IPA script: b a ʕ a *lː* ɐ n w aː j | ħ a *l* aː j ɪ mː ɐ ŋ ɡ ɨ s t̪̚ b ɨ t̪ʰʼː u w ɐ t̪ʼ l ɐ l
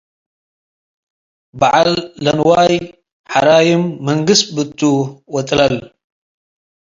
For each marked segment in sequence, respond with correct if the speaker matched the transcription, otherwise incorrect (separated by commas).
correct, incorrect